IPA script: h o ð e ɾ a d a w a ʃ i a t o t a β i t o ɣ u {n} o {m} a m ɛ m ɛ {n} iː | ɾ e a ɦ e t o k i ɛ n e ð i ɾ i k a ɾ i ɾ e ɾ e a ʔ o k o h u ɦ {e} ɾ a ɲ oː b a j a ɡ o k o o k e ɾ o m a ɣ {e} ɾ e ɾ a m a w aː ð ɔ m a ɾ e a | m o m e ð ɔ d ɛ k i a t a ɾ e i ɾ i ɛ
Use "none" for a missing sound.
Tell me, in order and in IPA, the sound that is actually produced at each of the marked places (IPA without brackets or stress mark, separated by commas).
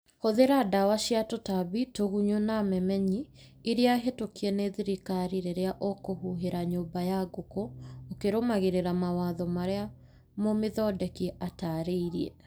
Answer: ɲ, n, ɲ, e, e